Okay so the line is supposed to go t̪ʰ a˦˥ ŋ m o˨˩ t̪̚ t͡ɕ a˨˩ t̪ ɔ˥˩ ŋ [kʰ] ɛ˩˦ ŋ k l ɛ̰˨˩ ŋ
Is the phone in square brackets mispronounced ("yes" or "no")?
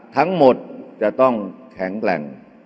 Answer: no